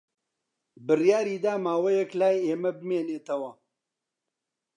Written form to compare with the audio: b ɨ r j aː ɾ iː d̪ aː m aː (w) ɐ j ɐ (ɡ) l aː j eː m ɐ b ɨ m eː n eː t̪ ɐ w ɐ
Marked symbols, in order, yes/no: yes, no

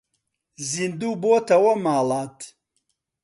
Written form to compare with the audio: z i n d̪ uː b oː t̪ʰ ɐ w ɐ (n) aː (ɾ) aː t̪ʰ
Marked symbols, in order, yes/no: no, no

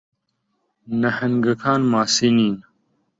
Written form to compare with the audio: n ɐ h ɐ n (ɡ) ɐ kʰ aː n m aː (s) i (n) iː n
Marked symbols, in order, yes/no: yes, yes, yes

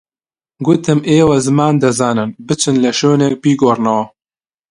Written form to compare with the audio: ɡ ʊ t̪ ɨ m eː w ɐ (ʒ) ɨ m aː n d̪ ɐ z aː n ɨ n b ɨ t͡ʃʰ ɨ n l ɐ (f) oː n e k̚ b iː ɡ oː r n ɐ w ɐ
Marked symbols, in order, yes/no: no, no

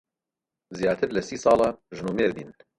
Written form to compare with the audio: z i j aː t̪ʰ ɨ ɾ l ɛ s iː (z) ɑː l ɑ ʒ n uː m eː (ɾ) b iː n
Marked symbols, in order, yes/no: no, yes

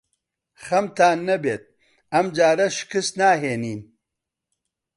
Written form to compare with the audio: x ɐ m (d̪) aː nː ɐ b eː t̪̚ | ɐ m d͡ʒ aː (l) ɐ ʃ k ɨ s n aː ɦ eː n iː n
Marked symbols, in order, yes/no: no, no

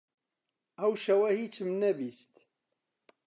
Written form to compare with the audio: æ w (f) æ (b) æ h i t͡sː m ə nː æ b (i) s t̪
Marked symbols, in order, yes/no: no, no, yes

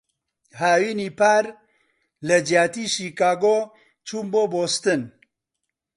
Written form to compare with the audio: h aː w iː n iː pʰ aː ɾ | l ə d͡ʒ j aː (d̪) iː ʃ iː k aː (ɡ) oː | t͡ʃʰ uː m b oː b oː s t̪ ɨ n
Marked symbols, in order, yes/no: no, yes

